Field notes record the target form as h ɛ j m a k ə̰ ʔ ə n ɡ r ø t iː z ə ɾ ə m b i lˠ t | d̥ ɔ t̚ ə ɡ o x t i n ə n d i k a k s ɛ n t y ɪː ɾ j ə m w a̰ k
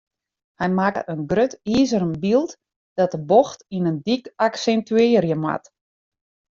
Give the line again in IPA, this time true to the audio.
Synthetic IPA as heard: h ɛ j m a k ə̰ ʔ ə n ɡ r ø t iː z ə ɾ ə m b i lˠ t | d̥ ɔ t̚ ə b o x t i n ə n d i k a k s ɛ n t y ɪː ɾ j ə m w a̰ t